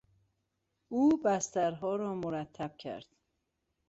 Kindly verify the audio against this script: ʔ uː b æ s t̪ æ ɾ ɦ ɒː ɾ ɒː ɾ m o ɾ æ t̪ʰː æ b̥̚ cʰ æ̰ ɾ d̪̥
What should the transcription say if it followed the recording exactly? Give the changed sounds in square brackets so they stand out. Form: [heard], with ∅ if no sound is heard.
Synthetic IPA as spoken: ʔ uː b æ s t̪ æ ɾ ɦ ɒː ɾ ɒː [∅] m o ɾ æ t̪ʰː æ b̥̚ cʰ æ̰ ɾ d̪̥